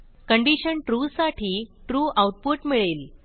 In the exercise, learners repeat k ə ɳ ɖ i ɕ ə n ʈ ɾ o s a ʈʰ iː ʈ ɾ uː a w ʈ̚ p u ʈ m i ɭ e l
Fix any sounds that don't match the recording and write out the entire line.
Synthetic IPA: k ə ɳ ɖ i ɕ ə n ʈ ɾ u s a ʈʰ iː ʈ ɾ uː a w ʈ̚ p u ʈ m i ɭ e l